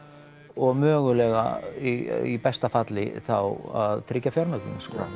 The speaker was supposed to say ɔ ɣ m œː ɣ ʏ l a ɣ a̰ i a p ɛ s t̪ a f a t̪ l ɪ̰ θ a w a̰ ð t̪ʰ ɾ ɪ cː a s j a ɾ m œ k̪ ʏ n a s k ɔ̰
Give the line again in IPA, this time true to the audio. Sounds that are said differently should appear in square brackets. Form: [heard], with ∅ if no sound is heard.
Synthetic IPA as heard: ɔ ɣ m œː ɣ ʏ l [ɛ] ɣ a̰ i [i] p ɛ s t̪ a f a t̪ l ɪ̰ θ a w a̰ ð t̪ʰ ɾ ɪ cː a [f] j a ɾ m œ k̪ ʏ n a s k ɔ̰